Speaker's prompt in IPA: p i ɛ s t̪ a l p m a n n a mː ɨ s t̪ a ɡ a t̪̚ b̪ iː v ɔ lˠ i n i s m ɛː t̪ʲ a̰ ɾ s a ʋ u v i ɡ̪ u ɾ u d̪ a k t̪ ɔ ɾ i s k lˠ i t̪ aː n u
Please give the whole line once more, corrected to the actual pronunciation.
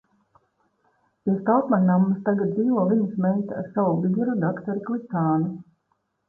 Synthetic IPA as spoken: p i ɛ s t̪ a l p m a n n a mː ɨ s t̪ a ɡ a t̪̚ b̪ iː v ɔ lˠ i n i s m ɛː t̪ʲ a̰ ɾ s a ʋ u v i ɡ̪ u ɾ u d̪ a k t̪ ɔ ɾ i k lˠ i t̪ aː n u